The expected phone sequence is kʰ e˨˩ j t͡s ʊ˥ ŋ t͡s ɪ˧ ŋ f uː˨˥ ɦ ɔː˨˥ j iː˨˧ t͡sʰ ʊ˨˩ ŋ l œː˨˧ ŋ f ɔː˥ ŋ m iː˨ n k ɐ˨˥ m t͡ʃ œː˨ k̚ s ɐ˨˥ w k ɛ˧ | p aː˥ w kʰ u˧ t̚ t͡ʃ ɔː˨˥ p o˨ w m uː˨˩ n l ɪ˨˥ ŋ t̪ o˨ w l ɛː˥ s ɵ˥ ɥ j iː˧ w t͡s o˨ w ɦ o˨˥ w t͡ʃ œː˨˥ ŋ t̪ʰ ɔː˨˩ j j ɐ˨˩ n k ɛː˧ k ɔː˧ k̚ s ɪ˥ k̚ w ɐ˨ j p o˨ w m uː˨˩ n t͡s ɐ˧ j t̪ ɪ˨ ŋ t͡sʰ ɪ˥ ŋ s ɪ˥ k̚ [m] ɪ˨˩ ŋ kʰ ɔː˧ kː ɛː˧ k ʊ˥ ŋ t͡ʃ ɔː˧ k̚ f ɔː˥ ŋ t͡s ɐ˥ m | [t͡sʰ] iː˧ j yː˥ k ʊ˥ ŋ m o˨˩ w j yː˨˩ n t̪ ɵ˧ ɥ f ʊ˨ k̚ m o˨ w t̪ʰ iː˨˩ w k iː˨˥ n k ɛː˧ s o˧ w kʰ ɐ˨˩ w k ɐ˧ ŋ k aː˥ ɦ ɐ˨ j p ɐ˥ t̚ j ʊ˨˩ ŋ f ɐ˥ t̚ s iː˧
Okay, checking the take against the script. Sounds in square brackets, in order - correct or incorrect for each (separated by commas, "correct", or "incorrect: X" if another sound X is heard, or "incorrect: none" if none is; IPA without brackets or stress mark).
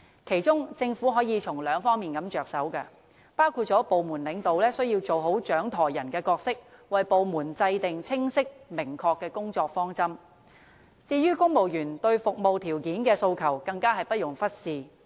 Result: correct, incorrect: t͡s